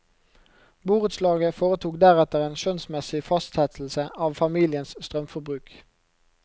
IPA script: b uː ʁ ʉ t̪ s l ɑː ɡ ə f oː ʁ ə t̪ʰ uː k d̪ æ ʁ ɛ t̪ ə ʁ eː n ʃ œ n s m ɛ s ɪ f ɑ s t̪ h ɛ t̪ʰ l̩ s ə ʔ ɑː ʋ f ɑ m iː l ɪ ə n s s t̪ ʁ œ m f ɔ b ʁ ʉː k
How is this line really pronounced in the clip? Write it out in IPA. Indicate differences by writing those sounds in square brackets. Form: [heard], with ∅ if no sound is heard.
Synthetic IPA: b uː ʁ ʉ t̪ s l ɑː ɡ ə f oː ʁ ə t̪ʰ uː k d̪ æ ʁ ɛ t̪ ə ʁ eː n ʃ œ n s m ɛ s ɪ f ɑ s t̪ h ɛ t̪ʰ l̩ s ə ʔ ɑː ʋ f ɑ m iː l ɪ ə n s s t̪ ʁ œ m f ɔ b ʁ ʉː k

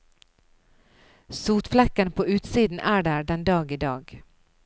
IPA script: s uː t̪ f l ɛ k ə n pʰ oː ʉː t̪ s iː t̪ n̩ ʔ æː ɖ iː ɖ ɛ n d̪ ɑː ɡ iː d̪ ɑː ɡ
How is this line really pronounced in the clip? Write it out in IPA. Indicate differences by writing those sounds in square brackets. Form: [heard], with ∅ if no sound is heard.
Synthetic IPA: s uː t̪ f l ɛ k ə n pʰ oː ʉː t̪ s iː [d̪] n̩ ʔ æː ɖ [æː] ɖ ɛ n d̪ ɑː ɡ iː d̪ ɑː ɡ

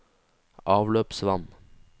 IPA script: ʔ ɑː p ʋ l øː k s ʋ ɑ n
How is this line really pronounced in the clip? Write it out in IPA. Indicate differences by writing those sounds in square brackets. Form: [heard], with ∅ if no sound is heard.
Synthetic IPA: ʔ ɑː [∅] ʋ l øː [p] s ʋ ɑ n

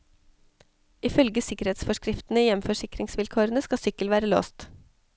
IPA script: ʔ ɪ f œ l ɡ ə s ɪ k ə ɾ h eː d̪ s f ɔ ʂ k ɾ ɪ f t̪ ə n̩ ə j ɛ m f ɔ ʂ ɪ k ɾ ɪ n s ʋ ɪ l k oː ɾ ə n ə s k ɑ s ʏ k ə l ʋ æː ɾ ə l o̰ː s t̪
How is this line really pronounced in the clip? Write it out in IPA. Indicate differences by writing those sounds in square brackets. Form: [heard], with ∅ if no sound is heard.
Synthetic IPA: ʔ ɪ f œ l ɡ ə s ɪ k ə ɾ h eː [t̪] s f ɔ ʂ k ɾ ɪ f t̪ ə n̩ ə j ɛ m f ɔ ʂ ɪ k ɾ ɪ [ŋ] s ʋ ɪ l [kʰ] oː ɾ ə n ə s k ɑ s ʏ k ə l ʋ æː ɾ ə l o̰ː s t̪

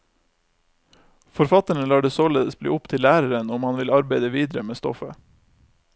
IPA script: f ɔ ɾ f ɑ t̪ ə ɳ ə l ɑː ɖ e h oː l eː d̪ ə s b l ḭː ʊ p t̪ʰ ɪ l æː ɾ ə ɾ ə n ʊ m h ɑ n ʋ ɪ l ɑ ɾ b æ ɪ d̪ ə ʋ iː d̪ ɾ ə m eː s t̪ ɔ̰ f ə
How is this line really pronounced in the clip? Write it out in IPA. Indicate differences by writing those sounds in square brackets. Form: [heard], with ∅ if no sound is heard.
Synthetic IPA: f ɔ ɾ f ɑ t̪ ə ɳ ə l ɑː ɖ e [s] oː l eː d̪ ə s b l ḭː ʊ p t̪ʰ ɪ l æː ɾ ə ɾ ə n ʊ m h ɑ n ʋ ɪ l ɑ ɾ b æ ɪ d̪ ə ʋ iː d̪ ɾ ə m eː s t̪ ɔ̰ f ə

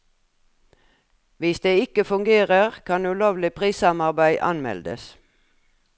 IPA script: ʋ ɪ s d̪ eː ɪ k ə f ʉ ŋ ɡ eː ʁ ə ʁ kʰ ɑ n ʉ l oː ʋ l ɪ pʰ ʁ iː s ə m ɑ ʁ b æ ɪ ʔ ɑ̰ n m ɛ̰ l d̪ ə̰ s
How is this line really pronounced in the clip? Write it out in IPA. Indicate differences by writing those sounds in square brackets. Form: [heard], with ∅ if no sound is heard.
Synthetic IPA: ʋ ɪ s d̪ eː ɪ k ə f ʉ ŋ ɡ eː ʁ ə ʁ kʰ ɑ n ʉ l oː ʋ l ɪ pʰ ʁ iː s [ɑ] m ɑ ʁ b æ ɪ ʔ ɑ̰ n m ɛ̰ l d̪ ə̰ s

